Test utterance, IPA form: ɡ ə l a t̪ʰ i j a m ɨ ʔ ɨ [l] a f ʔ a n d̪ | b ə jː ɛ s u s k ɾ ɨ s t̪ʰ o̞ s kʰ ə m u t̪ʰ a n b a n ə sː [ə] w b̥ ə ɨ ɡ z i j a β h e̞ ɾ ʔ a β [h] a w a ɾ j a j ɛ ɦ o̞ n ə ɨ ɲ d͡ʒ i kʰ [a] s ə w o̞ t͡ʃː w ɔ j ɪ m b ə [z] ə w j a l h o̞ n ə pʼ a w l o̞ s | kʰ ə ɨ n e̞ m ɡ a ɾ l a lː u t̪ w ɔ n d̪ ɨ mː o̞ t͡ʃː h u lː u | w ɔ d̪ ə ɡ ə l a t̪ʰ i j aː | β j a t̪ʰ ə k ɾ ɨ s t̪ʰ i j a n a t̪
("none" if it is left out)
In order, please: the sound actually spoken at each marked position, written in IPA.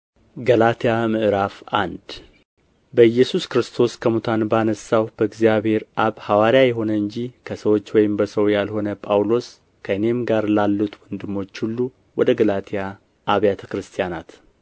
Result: ɾ, a, h, ə, s

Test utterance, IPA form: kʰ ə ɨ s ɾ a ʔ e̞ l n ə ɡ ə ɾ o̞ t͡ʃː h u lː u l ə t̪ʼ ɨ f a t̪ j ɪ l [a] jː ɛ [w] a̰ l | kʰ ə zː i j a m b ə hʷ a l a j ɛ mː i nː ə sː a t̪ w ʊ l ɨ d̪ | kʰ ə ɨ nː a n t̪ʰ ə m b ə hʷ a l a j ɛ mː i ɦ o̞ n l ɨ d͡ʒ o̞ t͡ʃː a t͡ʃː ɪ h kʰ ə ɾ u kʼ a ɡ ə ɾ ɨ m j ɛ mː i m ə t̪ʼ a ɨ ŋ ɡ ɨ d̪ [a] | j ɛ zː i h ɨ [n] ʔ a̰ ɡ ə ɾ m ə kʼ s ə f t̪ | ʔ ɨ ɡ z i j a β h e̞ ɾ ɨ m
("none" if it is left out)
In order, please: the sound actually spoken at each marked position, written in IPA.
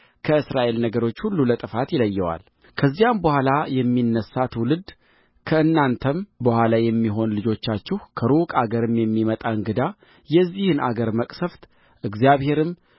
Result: ə, w, a, n

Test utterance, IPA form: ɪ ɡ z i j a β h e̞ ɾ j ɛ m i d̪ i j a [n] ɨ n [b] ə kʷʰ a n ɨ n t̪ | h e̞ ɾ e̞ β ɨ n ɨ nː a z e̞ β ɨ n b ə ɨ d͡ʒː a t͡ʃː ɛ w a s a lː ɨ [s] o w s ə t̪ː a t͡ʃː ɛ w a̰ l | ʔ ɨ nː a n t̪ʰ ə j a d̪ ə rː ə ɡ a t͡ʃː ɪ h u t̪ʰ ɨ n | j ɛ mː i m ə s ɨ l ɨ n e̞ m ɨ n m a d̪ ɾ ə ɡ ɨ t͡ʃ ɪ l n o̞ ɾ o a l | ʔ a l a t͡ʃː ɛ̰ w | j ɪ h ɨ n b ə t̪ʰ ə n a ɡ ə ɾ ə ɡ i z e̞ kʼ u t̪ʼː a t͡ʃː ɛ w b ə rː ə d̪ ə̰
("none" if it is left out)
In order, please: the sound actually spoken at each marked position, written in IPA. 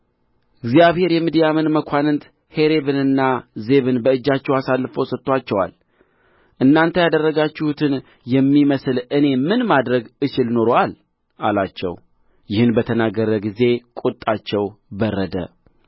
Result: m, m, f

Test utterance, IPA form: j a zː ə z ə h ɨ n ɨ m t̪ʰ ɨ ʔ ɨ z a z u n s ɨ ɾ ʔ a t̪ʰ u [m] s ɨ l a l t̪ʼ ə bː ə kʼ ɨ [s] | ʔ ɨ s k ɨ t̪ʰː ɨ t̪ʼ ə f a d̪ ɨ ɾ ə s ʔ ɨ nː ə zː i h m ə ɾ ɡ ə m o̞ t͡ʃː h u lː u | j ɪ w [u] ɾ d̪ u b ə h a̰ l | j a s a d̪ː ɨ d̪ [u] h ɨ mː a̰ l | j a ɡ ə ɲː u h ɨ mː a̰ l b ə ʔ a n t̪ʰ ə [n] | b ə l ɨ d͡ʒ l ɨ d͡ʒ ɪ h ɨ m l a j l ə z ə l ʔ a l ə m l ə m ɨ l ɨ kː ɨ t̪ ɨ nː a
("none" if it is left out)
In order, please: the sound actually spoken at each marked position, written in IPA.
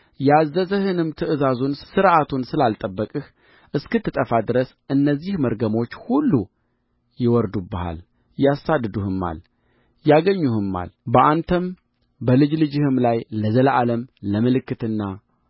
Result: n, h, ɔ, u, m

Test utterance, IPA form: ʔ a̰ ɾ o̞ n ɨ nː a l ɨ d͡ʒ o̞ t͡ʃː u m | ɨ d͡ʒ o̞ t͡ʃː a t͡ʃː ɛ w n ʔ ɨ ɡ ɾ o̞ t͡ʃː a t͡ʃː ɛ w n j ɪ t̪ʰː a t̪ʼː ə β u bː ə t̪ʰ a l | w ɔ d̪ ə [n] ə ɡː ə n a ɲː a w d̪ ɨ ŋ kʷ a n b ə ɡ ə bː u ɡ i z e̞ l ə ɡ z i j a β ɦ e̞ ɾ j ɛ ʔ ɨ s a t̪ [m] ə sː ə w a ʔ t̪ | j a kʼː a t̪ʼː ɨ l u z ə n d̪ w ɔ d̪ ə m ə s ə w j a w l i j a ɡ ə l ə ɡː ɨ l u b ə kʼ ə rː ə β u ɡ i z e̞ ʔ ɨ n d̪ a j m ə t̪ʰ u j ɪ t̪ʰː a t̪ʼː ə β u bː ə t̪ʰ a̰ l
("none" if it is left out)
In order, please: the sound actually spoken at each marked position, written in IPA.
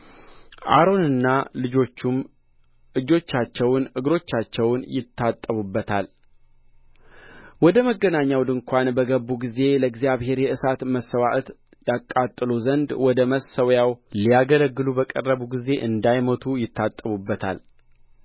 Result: m, m

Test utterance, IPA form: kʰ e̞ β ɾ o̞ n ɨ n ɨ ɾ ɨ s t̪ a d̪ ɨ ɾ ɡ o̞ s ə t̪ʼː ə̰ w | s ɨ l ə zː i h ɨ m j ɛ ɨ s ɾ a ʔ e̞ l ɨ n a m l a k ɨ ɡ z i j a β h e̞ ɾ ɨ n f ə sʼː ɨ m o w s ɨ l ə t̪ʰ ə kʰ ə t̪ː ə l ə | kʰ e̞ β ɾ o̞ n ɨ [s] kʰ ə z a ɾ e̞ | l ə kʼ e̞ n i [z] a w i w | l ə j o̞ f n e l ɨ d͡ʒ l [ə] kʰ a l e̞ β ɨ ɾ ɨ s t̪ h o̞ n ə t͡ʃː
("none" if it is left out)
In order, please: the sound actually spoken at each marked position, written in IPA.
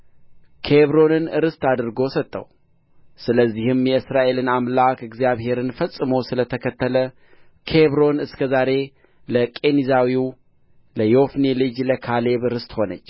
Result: s, z, ə

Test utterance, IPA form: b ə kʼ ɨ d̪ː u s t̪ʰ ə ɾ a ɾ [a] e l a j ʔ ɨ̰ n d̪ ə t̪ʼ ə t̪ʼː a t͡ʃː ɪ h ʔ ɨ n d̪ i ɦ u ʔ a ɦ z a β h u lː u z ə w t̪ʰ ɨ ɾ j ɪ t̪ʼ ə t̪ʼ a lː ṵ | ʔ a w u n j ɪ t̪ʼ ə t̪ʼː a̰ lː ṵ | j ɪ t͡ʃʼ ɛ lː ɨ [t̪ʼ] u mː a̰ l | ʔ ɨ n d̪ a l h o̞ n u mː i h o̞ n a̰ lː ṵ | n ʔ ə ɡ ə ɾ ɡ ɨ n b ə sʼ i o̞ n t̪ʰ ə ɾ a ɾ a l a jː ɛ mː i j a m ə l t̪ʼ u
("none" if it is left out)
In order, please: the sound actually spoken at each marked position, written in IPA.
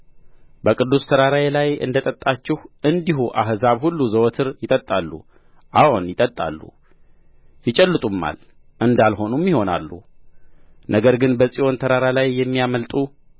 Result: a, t̪ʼ

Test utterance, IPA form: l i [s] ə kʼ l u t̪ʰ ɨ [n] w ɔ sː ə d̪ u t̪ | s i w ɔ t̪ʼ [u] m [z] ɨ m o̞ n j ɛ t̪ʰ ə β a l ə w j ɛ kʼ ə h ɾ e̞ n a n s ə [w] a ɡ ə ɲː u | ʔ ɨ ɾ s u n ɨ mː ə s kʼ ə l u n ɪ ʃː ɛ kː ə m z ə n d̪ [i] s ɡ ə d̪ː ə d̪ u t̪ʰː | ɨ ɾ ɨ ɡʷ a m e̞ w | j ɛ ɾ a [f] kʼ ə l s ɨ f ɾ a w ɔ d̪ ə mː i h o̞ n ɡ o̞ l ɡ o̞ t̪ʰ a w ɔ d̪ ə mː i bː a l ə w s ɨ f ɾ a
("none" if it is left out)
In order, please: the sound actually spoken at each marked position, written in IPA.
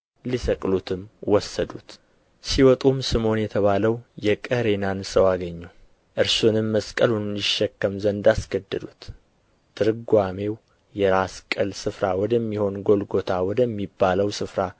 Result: s, m, u, s, w, a, s

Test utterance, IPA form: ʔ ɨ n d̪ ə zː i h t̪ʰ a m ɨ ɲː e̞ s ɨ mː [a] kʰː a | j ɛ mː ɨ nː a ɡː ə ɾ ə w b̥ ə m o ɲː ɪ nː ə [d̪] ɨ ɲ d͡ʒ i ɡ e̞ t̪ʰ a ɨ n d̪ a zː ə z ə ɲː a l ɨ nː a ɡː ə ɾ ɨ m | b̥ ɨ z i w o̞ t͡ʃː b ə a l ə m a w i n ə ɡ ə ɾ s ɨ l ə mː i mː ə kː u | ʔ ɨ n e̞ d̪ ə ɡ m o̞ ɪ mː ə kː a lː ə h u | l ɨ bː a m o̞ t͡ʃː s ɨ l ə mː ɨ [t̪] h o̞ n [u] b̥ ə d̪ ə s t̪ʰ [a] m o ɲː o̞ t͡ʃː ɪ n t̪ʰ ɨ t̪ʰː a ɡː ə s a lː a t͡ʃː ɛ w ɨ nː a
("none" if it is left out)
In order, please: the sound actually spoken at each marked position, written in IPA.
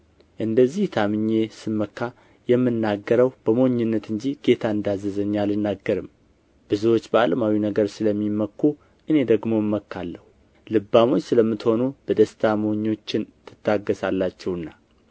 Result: ə, t̪, t̪, u, a

